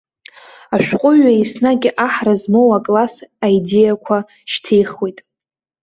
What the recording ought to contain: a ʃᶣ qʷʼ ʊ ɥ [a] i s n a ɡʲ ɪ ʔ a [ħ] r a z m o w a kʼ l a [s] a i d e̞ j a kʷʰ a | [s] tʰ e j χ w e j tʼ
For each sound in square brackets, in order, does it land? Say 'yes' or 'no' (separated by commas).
yes, yes, yes, no